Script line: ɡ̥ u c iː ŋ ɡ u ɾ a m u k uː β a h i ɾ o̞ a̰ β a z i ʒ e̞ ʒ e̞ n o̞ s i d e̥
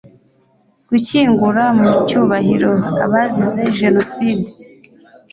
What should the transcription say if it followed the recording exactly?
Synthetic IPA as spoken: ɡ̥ u c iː ŋ ɡ u ɾ a m u c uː β a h i ɾ o̞ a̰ β a z i z e̞ ʒ e̞ n o̞ s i d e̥